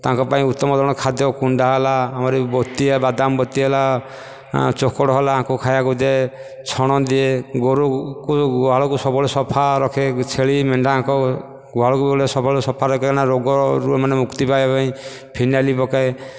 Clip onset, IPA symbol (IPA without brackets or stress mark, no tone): t̪